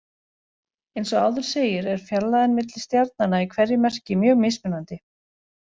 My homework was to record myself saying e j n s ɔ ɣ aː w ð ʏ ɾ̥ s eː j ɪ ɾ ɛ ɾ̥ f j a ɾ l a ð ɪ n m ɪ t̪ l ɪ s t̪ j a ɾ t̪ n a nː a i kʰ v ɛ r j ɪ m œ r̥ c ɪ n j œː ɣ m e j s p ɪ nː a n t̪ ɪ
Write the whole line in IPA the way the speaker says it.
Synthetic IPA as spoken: e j n s ɔ ɣ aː w ð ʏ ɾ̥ s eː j ɪ ɾ ɛ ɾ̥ f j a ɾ l a ð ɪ n m ɪ t̪ l ɪ s t̪ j a ɾ t̪ n a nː a i kʰ v ɛ r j ɪ m ɛ r̥ c ɪ m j œː ɣ m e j s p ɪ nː a n t̪ ɪ